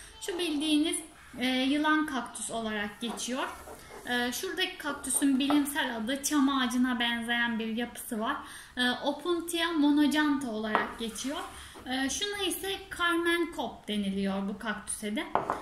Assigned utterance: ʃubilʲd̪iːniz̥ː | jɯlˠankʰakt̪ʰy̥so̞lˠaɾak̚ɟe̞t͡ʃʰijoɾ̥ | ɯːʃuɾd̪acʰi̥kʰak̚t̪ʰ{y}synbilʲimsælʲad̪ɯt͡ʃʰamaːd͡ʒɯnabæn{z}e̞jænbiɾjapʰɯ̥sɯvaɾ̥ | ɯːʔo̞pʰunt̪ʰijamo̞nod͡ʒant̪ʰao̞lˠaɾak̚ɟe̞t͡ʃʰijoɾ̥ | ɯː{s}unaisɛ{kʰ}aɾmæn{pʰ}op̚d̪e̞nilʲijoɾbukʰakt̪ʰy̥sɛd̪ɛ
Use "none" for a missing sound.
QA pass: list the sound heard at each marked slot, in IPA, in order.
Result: y, z, ʃ, kʰ, kʰ

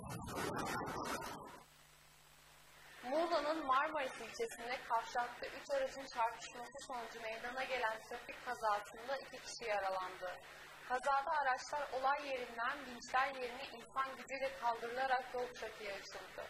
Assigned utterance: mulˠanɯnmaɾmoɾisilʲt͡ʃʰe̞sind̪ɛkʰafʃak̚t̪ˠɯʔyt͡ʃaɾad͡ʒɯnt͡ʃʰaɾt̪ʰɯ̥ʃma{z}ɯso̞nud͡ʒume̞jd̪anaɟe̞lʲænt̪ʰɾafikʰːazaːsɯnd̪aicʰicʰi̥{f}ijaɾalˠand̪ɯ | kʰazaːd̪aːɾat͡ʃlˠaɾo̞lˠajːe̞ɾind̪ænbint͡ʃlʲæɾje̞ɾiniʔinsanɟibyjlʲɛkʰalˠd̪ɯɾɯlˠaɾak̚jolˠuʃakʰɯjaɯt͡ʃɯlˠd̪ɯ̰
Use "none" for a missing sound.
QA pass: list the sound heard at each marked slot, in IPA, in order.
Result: s, ʃ

